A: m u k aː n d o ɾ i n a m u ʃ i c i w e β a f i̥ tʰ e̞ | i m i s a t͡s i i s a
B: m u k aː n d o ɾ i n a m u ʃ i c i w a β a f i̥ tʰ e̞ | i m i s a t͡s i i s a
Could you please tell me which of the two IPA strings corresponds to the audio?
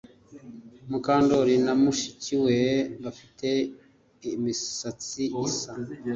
A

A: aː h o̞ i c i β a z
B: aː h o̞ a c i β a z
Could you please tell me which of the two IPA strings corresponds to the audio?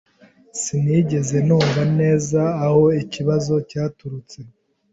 A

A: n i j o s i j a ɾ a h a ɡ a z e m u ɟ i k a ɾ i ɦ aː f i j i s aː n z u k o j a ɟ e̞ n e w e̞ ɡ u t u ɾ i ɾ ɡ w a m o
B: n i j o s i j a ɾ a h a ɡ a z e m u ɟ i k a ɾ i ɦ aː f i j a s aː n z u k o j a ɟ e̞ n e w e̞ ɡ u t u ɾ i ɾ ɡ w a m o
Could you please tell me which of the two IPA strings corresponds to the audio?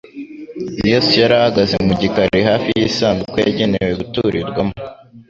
A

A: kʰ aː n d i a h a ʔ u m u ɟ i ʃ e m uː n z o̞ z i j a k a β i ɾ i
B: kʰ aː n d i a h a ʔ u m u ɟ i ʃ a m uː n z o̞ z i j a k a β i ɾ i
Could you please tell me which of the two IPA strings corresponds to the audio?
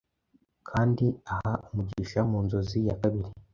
B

